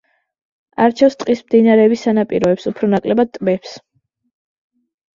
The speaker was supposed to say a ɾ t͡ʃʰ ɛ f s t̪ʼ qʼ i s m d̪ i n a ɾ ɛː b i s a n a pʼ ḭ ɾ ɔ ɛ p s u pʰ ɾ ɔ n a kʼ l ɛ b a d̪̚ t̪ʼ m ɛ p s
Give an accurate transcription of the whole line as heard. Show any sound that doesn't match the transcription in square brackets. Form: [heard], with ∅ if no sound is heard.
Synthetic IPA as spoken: a ɾ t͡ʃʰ ɛ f s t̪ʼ qʼ i s m d̪ i n a ɾ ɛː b i s a n a pʼ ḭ ɾ ɔ ɛ p s u pʰ ɾ ɔ n a kʼ l ɛ b a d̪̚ t̪ʼ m ɛ p s